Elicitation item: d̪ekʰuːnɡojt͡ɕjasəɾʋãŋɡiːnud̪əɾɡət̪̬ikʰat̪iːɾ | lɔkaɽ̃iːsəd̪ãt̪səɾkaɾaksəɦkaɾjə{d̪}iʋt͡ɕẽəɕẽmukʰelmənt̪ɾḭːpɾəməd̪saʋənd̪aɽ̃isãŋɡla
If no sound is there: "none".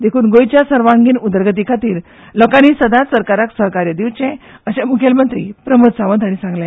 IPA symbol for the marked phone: d̪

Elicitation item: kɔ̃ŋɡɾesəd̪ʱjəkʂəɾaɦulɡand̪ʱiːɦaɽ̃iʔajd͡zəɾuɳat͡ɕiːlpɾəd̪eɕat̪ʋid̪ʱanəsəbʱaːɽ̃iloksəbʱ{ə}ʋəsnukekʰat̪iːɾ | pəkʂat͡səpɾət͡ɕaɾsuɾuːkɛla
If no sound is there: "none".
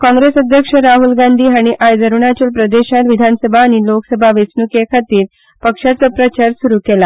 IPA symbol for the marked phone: a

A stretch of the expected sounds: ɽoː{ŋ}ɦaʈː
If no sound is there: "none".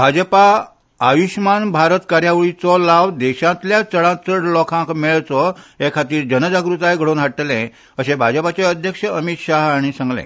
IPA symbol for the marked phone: n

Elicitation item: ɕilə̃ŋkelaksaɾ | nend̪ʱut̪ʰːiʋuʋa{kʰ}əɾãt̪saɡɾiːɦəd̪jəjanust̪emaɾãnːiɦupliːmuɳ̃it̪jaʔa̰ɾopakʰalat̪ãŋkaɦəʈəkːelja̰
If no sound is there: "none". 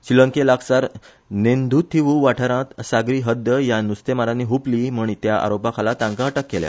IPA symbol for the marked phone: ʈʰ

